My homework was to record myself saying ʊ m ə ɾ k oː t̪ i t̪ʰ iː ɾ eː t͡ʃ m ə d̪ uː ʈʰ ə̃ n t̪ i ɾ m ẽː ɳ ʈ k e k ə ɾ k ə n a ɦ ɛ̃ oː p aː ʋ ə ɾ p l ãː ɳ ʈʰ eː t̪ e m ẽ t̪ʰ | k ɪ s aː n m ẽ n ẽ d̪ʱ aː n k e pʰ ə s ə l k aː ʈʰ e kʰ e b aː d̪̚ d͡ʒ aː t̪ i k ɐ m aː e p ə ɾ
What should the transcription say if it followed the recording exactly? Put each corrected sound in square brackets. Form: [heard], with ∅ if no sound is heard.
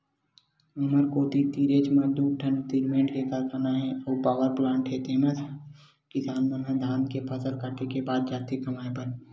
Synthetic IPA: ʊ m ə ɾ k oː t̪ i [t̪] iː ɾ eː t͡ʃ m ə d̪ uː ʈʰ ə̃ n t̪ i ɾ m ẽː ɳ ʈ k e k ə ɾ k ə n a ɦ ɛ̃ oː p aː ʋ ə ɾ p l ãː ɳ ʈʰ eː t̪ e m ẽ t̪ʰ | k ɪ s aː n m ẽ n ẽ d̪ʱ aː n k e pʰ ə s ə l k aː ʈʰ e [k] e b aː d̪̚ d͡ʒ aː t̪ i k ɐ m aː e p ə ɾ